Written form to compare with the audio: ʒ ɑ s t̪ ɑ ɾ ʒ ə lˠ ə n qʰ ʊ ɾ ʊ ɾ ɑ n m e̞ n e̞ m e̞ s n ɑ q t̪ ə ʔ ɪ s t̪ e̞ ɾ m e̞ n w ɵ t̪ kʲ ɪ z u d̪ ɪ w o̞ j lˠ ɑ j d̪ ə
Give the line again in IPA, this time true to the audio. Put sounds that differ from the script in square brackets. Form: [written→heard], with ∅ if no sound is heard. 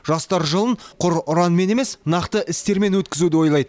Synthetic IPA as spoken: ʒ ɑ s t̪ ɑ ɾ ʒ ə lˠ ə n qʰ ʊ ɾ ʊ ɾ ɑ n m e̞ n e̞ m e̞ s n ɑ q t̪ ə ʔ ɪ s t̪ e̞ ɾ m e̞ n w ɵ t̪ kʲ ɪ z u d̪ ɪ w o̞ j lˠ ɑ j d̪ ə